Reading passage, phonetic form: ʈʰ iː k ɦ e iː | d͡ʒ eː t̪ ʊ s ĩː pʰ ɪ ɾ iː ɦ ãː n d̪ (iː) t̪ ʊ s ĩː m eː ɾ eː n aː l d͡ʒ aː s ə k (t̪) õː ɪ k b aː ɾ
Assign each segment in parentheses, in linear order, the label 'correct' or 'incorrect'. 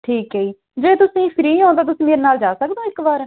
incorrect, incorrect

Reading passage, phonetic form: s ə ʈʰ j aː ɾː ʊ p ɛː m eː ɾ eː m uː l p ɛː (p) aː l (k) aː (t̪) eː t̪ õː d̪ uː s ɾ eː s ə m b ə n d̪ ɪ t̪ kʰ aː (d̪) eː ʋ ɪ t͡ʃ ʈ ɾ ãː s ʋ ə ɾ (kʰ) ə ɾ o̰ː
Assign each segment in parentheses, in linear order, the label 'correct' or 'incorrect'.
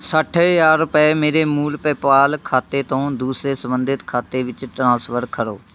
correct, incorrect, correct, incorrect, correct

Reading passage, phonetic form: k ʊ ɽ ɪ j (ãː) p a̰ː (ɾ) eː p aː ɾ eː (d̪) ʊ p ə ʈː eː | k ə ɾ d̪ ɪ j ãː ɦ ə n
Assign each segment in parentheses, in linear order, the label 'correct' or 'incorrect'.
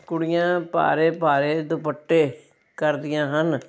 correct, correct, correct

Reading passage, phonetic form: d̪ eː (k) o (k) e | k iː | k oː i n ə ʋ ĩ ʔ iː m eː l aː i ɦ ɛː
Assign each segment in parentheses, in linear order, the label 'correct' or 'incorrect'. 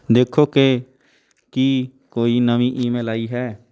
incorrect, correct

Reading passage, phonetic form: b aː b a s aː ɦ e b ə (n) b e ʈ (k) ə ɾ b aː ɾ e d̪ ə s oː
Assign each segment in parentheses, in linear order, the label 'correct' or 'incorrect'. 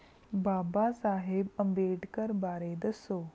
incorrect, correct

